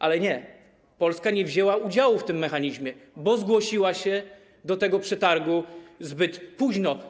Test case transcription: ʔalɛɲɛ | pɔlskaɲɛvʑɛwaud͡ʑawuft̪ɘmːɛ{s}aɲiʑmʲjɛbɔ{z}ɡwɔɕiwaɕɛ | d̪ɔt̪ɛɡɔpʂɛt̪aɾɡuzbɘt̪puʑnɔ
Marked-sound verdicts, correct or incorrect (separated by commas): incorrect, correct